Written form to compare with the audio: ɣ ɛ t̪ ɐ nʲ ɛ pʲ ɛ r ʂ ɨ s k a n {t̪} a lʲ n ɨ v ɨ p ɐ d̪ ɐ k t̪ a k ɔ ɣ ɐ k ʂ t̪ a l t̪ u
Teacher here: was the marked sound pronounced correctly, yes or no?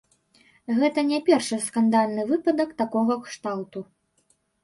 no